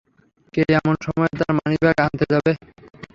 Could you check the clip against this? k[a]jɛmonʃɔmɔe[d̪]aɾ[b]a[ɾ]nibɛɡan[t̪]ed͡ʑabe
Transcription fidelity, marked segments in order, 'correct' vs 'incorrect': incorrect: e, incorrect: t̪, incorrect: m, incorrect: none, correct

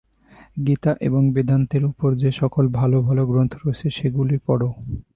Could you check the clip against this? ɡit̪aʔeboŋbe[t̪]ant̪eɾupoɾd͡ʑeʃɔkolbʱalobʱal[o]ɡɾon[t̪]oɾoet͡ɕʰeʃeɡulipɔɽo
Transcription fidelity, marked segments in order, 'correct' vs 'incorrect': incorrect: d̪, correct, incorrect: t̪ʰ

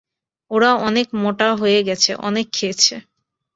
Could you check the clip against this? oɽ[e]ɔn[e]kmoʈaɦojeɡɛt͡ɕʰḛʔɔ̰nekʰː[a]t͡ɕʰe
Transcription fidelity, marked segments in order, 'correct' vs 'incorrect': incorrect: a, correct, incorrect: e

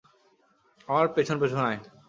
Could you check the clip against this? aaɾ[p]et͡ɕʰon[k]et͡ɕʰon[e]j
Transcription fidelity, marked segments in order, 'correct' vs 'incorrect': correct, incorrect: p, incorrect: a

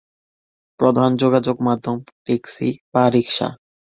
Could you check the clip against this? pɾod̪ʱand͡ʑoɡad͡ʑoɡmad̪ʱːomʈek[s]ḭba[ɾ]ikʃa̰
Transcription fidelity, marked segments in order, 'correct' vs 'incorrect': correct, correct

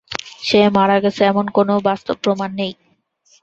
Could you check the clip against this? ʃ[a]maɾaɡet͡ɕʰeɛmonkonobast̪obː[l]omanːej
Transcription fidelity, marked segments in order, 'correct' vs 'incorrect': incorrect: e, incorrect: ɾ

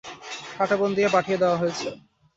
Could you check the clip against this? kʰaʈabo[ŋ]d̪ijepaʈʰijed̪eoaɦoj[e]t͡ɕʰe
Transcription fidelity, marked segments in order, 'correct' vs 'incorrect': incorrect: n, correct

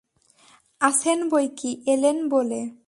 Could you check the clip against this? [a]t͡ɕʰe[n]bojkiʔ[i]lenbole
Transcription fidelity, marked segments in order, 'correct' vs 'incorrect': correct, correct, incorrect: e

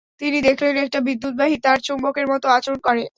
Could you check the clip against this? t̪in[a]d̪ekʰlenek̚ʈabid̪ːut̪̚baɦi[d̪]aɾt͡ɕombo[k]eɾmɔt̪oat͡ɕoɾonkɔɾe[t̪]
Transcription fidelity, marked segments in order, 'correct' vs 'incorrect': incorrect: i, incorrect: t̪, correct, incorrect: none

